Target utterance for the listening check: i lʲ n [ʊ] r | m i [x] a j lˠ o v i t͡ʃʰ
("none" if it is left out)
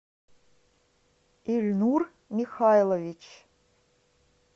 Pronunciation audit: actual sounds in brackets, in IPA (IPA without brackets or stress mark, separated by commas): u, x